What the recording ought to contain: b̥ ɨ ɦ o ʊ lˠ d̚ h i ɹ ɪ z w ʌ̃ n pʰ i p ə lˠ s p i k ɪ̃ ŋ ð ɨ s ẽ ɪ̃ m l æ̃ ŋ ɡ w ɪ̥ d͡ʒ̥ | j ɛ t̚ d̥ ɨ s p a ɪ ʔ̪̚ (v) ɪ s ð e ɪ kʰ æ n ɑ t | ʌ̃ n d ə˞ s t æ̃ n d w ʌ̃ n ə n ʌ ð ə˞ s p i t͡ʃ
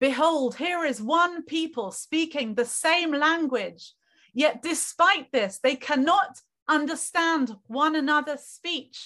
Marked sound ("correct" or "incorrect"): incorrect